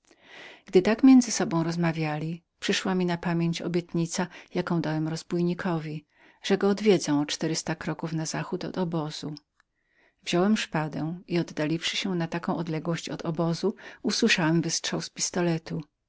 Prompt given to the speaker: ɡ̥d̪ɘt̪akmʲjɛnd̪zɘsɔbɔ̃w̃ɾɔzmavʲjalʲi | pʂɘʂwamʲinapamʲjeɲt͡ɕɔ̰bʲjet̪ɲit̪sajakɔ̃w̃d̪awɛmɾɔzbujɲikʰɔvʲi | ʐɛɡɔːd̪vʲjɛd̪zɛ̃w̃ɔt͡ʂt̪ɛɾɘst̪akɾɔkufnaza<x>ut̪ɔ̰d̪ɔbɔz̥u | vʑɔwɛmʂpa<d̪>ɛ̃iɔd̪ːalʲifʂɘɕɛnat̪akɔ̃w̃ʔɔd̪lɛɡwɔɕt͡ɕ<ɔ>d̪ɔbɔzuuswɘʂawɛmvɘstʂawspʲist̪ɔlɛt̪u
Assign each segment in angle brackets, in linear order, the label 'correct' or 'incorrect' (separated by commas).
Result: correct, correct, correct